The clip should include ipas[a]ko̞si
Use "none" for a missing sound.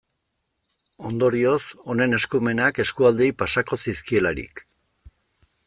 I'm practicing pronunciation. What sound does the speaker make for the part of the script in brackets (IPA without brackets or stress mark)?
a